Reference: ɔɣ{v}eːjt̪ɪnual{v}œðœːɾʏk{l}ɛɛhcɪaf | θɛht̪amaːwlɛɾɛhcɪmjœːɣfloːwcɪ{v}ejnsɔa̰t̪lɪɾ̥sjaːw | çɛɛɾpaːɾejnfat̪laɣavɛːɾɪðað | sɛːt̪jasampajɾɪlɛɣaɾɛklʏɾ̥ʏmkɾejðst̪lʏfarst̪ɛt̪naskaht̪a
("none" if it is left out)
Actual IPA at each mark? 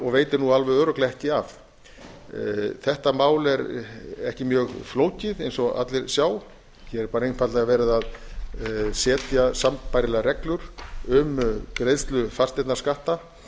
v, v, l, ð

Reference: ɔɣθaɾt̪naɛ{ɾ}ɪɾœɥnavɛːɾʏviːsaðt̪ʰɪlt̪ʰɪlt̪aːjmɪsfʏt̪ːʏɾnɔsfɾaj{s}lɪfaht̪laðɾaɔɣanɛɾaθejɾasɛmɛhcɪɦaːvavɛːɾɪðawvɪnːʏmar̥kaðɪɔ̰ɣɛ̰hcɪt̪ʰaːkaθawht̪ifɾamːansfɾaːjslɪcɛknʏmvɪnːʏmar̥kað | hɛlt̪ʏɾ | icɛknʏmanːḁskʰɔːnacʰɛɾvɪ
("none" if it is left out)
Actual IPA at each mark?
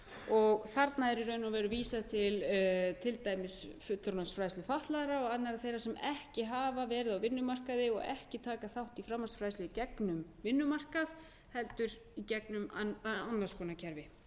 ɾ, s

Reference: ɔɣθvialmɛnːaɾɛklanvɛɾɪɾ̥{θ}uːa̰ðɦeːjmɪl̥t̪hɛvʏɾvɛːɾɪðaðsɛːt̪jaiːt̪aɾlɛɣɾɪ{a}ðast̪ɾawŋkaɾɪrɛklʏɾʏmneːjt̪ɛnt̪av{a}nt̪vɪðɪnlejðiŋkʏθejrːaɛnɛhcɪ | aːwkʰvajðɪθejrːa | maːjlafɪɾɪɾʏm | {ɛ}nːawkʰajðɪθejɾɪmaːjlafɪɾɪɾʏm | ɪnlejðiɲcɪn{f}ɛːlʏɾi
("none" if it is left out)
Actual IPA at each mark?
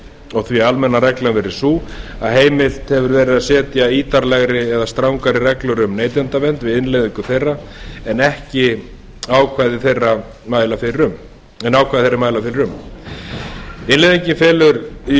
s, ɛ, ɛ, ɛ, f

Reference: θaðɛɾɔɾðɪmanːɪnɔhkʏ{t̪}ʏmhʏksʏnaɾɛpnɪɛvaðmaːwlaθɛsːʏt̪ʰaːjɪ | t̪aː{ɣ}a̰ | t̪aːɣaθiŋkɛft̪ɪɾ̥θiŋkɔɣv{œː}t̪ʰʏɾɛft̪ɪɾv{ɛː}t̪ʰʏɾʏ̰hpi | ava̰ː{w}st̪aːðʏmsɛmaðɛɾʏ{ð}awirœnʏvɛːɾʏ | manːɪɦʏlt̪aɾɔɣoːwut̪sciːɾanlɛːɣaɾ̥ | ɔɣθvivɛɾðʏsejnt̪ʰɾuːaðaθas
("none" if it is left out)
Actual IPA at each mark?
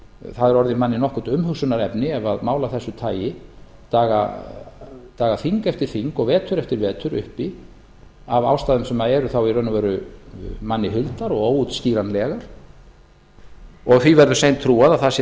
t̪, ɣ, ɛː, ɛː, w, θ

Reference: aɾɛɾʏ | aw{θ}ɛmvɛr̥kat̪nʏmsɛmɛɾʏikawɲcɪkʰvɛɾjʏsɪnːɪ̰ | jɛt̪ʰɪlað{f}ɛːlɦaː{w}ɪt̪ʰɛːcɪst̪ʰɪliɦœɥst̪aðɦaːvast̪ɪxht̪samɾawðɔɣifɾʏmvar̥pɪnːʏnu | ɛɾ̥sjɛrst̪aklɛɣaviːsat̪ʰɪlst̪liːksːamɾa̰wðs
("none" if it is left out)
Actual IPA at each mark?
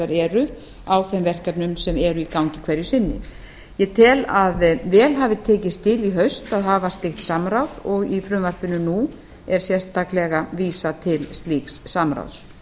θ, v, v

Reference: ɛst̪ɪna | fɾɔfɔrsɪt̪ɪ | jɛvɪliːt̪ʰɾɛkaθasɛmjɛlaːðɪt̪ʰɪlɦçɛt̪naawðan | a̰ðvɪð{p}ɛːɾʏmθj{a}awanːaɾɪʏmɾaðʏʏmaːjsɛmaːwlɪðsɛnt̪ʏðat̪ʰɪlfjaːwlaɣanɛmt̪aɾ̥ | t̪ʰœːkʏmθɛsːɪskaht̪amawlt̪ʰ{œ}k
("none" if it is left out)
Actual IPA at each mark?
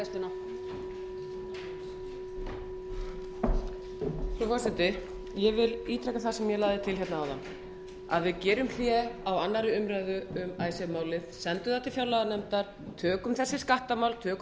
c, ɛ, œː

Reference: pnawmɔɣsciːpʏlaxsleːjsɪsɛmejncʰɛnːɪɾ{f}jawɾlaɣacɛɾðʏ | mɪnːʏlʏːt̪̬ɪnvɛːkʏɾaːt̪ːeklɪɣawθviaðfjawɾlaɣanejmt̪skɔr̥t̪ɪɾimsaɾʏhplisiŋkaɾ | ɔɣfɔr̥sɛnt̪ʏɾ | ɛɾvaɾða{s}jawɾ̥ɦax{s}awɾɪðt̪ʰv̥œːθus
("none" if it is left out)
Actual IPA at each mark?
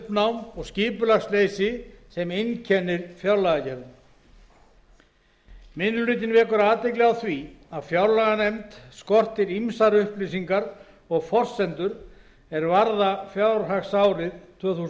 f, f, s

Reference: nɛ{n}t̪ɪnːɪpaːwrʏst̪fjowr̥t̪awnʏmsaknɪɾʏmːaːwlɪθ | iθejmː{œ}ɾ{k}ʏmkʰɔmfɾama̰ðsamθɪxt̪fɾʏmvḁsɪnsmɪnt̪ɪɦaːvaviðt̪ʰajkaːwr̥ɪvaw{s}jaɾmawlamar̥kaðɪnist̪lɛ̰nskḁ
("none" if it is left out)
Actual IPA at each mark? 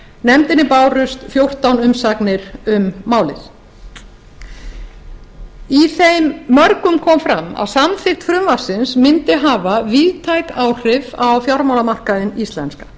m, œ, k, f

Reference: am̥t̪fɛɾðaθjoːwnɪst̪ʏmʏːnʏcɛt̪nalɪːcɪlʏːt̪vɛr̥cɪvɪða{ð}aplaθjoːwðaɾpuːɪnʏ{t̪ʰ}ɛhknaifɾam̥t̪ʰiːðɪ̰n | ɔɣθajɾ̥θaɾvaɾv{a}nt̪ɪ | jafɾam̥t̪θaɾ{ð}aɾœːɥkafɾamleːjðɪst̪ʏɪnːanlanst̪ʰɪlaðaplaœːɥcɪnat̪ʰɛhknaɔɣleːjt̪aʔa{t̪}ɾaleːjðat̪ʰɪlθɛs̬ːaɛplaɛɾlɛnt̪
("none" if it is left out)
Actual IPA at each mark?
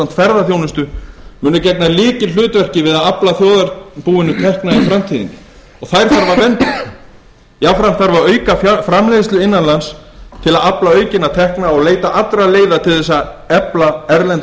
ð, t̪ʰ, ɛ, v, t̪

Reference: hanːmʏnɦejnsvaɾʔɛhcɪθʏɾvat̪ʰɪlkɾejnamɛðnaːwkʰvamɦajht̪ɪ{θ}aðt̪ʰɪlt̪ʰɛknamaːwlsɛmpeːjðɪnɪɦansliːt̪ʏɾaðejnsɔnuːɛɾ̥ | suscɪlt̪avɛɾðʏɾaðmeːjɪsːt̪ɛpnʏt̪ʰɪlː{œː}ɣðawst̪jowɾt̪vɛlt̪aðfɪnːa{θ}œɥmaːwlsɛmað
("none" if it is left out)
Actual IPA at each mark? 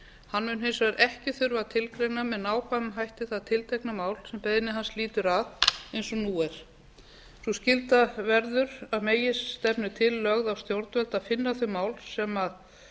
θ, œ, θ

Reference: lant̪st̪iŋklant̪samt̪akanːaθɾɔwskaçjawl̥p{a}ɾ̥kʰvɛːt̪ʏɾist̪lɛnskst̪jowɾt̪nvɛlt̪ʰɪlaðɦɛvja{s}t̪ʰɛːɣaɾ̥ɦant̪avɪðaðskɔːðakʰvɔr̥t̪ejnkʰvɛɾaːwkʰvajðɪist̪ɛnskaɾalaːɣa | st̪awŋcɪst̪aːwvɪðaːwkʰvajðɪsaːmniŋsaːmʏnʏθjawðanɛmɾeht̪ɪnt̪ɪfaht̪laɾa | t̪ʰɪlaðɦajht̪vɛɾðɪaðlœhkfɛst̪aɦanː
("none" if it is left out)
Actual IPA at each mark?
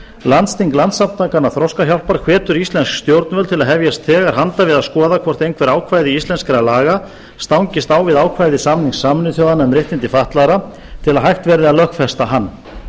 a, s

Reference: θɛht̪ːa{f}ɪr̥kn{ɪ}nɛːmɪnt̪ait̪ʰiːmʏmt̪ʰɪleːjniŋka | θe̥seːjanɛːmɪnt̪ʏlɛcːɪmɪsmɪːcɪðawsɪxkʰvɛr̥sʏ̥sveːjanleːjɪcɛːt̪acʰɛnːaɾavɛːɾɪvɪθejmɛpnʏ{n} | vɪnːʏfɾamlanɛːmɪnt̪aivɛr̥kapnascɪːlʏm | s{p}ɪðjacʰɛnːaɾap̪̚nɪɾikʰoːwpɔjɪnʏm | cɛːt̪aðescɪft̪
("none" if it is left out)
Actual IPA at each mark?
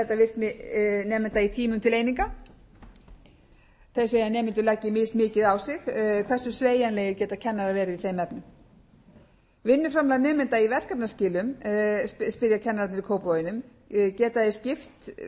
v, ɪ, m, p

